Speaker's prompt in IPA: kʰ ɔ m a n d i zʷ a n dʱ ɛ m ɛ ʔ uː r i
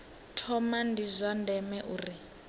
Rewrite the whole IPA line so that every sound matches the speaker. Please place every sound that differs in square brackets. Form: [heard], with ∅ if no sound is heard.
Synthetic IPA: [tʰ] ɔ m a n d i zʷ a n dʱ ɛ m ɛ ʔ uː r i